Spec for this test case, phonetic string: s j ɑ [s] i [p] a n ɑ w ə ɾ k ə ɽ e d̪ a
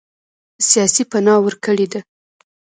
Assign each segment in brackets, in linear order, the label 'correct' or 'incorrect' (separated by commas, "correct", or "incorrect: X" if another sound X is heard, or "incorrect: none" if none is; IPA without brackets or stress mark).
correct, correct